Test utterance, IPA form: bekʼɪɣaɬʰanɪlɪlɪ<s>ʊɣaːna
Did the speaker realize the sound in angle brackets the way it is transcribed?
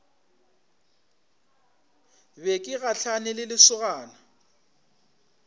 yes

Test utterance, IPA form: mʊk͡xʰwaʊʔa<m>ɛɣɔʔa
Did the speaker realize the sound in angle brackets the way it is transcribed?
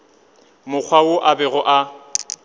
no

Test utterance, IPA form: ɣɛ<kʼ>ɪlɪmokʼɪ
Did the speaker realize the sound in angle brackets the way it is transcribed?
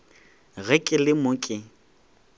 yes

